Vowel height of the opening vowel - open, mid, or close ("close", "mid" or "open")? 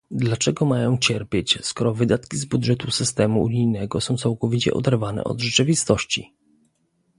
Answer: open